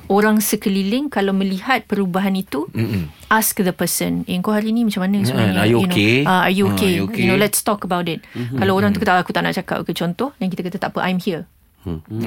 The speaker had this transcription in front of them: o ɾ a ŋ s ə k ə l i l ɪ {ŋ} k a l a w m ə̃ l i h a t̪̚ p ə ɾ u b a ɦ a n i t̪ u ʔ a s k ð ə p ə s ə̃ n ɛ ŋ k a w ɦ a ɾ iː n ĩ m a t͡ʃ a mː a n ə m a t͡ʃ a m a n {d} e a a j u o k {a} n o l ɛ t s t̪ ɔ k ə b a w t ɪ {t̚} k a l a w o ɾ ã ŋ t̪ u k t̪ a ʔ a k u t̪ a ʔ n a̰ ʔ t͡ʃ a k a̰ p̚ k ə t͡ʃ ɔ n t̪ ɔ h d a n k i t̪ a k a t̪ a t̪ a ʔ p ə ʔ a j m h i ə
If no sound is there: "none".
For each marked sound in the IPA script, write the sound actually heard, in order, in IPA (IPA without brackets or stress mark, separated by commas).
ŋ, n, e, t̚